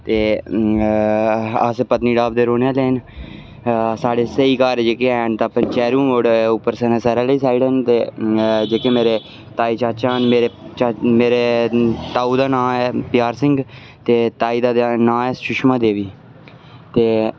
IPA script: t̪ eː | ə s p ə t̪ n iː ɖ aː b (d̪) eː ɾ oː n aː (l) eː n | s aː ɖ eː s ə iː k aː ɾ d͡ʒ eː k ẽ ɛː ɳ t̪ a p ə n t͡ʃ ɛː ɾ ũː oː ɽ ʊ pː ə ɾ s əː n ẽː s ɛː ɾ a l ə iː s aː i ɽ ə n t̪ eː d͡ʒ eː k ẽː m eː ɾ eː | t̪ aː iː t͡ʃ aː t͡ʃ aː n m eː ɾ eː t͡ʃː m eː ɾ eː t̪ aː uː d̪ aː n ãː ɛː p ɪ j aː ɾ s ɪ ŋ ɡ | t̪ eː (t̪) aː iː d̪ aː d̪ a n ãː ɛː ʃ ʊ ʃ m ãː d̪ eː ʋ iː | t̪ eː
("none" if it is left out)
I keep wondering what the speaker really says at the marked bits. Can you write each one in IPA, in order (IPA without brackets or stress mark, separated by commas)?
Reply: d̪, l, t̪